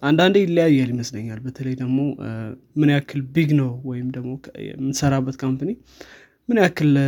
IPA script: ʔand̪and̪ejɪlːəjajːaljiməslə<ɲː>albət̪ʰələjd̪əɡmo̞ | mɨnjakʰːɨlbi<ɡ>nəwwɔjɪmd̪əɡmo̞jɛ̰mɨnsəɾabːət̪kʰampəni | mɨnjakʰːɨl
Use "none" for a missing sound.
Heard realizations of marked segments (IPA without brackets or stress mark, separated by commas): ɲː, ɡ